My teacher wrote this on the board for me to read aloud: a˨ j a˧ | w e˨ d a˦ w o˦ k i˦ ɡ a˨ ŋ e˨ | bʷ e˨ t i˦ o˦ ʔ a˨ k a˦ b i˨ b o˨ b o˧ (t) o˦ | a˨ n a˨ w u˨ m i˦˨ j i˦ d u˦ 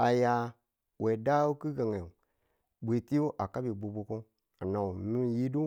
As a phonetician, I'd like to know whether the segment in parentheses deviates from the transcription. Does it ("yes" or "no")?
yes